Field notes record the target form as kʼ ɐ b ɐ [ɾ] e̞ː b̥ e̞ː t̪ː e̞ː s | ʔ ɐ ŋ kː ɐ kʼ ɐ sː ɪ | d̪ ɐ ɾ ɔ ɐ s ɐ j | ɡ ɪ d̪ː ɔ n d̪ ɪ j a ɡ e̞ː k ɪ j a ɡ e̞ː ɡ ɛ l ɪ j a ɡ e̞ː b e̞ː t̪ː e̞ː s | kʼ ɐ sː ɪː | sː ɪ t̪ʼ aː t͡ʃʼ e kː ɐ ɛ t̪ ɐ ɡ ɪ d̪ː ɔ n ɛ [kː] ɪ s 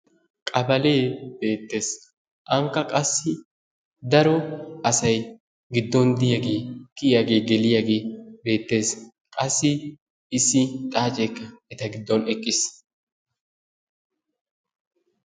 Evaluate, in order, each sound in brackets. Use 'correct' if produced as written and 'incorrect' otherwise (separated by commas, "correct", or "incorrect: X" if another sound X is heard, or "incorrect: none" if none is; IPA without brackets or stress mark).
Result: incorrect: l, incorrect: kʼː